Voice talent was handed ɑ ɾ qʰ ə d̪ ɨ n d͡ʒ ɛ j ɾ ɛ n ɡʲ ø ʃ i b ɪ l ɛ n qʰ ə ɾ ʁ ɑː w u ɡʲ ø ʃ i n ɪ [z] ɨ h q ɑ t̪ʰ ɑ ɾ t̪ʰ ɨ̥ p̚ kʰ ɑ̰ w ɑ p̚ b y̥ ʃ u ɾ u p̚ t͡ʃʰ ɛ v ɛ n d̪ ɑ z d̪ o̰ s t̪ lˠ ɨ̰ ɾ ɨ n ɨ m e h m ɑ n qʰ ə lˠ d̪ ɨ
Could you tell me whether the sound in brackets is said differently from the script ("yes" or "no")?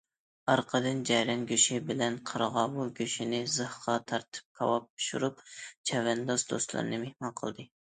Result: no